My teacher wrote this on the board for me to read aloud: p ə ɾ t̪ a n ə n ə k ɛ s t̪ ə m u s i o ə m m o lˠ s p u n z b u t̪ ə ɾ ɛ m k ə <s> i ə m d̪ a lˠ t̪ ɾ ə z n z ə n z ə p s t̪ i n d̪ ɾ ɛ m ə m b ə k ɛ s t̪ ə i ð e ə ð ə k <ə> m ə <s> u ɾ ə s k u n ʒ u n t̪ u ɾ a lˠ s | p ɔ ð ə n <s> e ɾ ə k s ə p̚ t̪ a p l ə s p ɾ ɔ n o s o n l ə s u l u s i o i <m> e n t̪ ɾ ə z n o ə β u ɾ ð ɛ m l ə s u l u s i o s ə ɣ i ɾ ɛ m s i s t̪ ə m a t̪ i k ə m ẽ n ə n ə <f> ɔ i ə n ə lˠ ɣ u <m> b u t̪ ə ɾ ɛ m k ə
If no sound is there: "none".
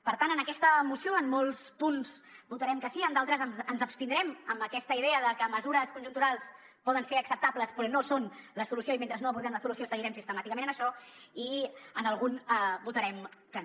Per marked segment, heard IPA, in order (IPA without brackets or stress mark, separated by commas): s, ə, z, s, m, ʃ, n